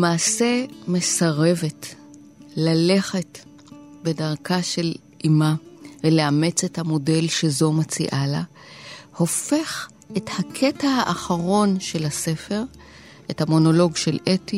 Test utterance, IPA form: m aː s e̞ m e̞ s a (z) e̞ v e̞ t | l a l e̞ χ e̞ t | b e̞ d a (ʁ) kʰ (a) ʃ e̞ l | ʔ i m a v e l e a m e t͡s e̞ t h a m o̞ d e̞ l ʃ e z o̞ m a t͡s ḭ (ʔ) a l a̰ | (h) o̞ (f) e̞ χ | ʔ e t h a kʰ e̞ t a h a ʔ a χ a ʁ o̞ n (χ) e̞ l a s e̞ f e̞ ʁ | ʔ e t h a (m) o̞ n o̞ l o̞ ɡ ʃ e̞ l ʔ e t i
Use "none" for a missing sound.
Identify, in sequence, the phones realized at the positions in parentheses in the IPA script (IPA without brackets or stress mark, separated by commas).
ʁ, ʁ, a, ʔ, h, f, ʃ, m